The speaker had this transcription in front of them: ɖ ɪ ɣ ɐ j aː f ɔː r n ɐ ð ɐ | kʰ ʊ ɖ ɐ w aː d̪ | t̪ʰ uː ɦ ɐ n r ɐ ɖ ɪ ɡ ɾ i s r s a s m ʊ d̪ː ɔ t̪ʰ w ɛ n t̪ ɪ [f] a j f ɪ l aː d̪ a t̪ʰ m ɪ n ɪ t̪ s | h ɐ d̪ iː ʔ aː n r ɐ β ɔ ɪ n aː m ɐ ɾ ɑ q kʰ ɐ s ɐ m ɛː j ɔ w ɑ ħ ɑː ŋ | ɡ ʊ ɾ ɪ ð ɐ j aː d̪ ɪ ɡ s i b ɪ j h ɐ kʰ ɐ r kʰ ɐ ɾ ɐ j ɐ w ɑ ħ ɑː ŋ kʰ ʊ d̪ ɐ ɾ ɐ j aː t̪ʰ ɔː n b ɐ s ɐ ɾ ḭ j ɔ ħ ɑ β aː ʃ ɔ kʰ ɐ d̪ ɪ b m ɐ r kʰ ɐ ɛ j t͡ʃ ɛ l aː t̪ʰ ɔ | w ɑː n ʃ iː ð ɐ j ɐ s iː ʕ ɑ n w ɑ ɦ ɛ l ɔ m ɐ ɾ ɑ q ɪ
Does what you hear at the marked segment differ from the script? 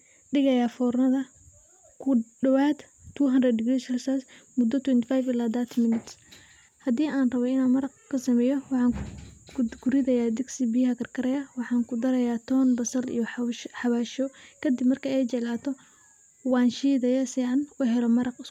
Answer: no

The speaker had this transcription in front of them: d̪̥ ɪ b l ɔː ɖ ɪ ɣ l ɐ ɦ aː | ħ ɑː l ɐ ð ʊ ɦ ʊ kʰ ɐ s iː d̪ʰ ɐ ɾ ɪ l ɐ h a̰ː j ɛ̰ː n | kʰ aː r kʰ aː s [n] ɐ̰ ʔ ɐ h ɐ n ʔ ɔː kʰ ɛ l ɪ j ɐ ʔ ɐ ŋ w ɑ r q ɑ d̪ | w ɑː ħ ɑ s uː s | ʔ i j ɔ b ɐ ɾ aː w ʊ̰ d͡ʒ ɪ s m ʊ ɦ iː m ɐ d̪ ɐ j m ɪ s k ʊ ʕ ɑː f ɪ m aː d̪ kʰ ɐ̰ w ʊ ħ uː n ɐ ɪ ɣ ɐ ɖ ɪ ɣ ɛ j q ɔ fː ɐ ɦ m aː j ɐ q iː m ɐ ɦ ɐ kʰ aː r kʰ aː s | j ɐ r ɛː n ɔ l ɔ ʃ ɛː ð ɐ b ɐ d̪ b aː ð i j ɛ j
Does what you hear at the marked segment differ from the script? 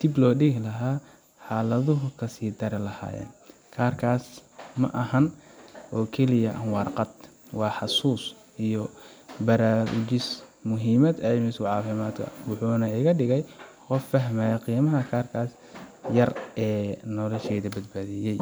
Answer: yes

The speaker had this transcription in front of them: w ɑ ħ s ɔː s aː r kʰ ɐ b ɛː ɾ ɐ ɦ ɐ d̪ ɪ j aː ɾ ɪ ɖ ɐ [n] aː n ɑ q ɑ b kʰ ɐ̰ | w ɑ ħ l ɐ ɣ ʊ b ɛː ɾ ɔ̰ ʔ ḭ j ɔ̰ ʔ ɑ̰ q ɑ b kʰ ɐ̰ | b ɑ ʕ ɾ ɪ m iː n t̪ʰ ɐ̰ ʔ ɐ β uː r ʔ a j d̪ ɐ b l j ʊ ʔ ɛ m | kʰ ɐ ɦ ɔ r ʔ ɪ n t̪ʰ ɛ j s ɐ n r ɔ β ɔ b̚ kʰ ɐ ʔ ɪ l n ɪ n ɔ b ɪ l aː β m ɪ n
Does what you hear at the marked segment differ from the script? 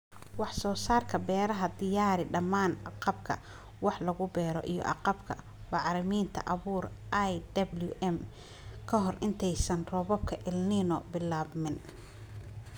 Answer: yes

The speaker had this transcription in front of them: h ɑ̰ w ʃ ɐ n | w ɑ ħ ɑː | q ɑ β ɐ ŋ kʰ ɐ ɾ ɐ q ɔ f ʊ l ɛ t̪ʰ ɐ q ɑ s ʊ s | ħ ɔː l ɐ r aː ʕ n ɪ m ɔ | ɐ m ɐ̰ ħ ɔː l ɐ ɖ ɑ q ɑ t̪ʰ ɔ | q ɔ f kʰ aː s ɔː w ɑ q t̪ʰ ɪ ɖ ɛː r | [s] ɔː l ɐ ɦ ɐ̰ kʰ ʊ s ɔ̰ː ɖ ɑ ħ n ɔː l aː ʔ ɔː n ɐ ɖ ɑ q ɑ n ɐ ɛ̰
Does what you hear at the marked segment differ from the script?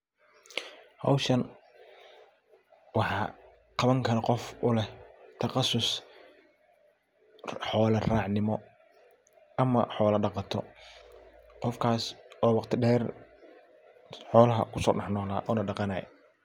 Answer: yes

